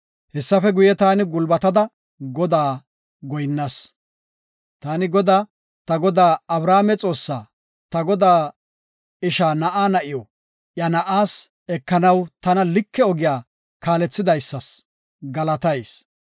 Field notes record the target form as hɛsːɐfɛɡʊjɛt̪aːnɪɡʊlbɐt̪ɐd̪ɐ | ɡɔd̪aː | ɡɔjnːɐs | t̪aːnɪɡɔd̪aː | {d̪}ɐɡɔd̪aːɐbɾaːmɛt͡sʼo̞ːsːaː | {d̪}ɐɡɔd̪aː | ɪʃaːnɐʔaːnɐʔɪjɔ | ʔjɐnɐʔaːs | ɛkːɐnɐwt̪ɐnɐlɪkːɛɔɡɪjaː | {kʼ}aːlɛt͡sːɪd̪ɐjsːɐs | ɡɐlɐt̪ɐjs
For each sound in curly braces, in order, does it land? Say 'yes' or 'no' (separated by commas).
no, no, no